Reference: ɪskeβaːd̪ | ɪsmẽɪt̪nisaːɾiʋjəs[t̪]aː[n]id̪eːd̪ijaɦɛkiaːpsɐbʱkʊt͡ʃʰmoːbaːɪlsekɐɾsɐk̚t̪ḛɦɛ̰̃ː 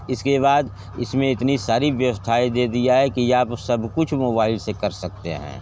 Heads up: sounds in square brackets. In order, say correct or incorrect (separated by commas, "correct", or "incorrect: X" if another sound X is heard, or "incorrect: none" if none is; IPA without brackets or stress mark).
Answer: incorrect: t̪ʰ, incorrect: none